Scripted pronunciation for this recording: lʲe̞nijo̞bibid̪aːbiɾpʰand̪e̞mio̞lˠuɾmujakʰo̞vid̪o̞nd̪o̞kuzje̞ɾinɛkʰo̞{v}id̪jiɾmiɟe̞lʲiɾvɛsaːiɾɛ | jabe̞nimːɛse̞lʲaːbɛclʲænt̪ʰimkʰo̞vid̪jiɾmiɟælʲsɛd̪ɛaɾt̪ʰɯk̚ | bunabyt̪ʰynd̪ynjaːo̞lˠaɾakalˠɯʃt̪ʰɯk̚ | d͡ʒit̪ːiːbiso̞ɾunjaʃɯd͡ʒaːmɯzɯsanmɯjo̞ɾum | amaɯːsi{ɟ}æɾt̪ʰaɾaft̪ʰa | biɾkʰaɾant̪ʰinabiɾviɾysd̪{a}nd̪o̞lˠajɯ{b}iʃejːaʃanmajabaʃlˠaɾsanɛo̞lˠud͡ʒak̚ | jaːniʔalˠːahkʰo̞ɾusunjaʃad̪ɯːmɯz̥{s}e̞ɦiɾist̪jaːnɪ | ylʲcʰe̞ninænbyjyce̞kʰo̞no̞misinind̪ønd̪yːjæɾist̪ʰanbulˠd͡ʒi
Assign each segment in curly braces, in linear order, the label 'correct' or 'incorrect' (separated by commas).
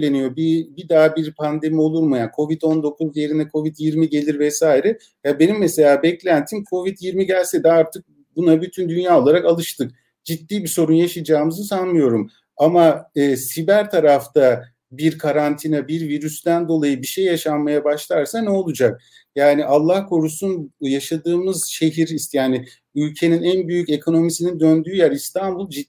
correct, incorrect, incorrect, correct, incorrect